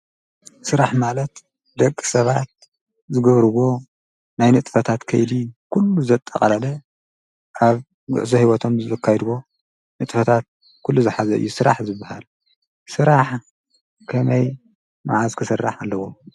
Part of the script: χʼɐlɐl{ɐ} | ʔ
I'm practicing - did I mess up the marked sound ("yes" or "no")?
no